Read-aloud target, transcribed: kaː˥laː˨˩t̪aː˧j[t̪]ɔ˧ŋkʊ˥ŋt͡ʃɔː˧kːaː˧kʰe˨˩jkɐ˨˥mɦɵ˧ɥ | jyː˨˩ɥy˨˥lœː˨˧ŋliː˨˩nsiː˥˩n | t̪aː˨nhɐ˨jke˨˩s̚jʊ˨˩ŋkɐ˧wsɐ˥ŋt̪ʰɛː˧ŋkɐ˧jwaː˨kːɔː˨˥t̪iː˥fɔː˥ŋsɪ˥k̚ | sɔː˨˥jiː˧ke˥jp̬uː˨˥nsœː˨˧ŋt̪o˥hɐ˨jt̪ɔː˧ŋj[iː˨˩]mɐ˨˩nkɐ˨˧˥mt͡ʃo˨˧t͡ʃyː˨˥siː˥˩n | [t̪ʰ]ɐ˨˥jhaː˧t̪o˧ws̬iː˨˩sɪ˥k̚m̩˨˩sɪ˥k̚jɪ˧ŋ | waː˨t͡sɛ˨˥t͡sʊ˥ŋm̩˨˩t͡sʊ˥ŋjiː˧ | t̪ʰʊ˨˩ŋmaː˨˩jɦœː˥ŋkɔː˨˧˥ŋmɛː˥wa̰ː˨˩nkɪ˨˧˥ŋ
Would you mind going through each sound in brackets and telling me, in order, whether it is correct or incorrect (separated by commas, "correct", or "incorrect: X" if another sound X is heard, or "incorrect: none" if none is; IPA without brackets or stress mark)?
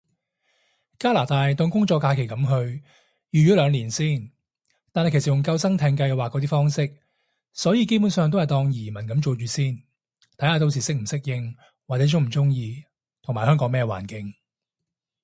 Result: correct, correct, correct